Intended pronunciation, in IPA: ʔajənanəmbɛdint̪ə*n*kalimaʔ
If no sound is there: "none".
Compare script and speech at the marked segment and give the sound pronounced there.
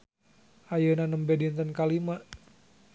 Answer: n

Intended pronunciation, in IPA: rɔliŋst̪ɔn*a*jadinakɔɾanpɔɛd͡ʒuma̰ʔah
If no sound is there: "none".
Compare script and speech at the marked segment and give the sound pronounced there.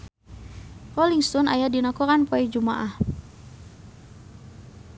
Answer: a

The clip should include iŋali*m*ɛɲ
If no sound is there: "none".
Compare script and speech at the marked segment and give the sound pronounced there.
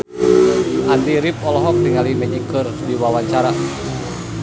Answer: m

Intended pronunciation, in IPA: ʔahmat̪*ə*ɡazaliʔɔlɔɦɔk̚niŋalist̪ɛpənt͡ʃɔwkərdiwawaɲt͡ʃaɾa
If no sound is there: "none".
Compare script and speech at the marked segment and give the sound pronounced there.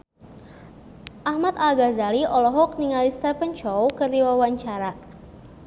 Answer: a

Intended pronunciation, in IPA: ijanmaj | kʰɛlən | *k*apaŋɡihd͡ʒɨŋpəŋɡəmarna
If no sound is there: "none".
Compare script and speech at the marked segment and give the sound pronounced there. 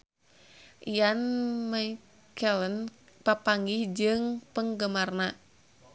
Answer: p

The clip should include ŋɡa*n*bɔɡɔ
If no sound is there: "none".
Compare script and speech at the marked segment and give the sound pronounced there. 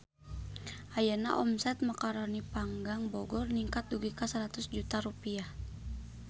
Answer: ŋ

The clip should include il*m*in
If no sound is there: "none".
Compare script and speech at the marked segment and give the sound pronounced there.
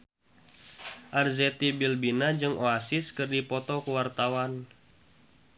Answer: b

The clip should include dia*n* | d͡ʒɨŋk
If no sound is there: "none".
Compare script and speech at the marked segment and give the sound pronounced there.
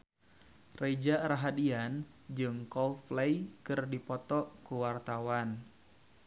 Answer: n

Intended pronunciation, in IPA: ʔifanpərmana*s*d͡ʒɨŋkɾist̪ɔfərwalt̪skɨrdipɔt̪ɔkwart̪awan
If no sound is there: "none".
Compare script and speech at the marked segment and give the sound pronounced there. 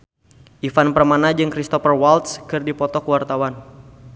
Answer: none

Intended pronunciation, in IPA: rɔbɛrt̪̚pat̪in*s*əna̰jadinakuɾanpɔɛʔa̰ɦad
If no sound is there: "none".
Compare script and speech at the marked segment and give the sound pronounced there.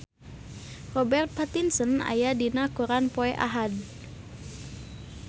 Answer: s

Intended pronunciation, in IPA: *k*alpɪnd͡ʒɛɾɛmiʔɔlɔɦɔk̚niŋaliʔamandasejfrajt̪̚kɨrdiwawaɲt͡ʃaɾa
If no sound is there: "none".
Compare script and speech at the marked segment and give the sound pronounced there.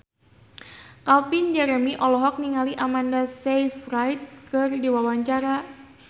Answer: k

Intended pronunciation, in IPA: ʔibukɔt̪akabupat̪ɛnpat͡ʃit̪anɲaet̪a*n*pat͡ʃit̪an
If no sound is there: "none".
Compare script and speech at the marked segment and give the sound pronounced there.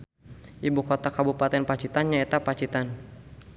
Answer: none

